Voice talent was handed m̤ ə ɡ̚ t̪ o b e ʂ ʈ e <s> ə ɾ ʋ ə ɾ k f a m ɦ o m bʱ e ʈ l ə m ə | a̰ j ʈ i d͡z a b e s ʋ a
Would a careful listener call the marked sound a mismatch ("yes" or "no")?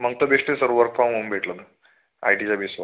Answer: no